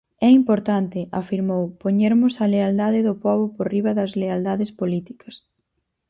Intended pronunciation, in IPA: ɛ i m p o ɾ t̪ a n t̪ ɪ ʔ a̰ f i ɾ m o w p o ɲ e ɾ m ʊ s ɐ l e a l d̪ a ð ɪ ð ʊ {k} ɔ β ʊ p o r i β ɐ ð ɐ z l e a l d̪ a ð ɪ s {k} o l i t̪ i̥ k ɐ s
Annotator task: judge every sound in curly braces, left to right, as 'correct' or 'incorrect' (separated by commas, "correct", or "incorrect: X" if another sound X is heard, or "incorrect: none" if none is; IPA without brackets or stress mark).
incorrect: p, incorrect: p